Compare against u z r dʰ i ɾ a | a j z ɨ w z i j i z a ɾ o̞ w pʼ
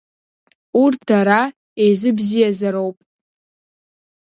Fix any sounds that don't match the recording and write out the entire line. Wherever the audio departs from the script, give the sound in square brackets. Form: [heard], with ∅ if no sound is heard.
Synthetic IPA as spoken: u [∅] r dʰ [a] ɾ a | [e] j z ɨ [b] z i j [a] z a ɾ o̞ w pʼ